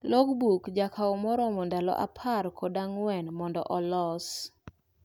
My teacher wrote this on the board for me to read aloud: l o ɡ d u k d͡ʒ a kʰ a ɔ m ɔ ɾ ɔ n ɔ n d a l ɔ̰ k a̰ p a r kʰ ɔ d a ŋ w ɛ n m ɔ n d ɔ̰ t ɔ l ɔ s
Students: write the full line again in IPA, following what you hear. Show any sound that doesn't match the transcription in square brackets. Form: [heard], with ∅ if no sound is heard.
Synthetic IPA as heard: l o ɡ [b] u k d͡ʒ a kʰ a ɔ m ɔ ɾ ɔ [m] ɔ n d a l ɔ̰ [ʔ] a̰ [pʰ] a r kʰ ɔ d a ŋ w ɛ n m ɔ n d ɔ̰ [ʔ] ɔ l ɔ s